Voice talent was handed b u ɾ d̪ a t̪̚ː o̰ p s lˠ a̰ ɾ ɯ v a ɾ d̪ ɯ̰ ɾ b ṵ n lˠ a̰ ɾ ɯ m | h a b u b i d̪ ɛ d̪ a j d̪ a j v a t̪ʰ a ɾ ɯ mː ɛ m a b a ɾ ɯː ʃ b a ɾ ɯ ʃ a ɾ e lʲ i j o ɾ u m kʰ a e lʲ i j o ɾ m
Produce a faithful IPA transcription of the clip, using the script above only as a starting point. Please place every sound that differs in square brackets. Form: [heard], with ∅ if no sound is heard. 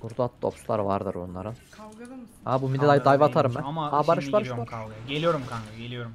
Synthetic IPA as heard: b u ɾ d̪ a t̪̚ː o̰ p s lˠ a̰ ɾ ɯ v a ɾ d̪ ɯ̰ ɾ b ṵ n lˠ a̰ ɾ ɯ [n] | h a b u [m] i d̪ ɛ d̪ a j d̪ a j v a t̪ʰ a ɾ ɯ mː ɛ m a b a ɾ [ɯ] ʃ b a ɾ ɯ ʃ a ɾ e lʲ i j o ɾ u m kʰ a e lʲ i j o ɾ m